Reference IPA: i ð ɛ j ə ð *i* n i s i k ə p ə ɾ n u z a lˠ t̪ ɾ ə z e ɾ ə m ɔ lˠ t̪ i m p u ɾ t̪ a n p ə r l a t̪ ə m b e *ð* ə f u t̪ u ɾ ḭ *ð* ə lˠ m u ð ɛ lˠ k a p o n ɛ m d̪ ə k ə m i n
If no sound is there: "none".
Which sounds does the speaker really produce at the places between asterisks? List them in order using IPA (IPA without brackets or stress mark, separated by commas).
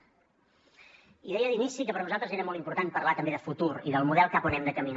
i, ð, ð